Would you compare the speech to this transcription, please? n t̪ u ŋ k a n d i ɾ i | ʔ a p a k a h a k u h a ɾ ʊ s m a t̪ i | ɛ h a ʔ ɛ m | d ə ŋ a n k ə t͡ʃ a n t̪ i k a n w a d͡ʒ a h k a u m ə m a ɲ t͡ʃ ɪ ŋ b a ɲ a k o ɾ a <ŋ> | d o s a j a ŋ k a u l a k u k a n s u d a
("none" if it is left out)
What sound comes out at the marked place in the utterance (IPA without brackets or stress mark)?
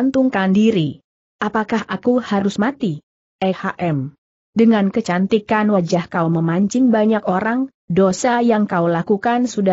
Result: ŋ